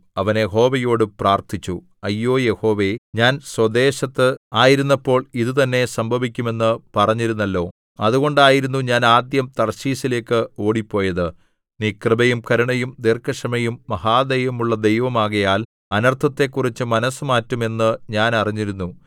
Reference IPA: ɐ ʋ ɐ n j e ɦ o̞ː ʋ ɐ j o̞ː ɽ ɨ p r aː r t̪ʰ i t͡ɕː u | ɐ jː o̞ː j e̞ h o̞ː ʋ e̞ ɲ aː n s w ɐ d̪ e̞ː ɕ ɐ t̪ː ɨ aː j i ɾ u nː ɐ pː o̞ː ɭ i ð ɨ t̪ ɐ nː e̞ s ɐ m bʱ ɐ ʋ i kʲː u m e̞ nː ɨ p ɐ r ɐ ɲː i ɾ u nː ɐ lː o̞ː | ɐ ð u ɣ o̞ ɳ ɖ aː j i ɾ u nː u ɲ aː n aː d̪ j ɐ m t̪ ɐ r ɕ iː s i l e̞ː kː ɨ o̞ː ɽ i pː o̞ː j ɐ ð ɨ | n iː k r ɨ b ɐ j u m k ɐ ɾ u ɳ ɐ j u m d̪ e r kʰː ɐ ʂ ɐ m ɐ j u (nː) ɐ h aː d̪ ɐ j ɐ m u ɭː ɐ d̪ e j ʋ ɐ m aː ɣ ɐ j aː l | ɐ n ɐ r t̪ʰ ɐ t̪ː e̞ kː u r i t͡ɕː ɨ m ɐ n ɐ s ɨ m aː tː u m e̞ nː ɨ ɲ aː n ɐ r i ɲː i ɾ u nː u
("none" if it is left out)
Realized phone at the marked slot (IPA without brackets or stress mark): mː